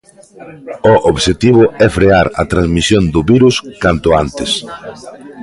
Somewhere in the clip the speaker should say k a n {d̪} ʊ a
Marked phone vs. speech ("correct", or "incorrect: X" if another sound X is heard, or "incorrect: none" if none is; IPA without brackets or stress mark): incorrect: t̪